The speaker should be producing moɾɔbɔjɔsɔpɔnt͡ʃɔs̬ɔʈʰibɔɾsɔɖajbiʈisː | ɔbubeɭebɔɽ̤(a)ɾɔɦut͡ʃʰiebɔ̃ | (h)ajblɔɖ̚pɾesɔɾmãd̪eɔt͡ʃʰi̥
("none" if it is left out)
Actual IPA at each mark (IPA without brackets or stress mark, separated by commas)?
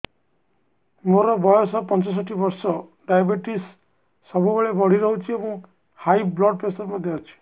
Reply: i, h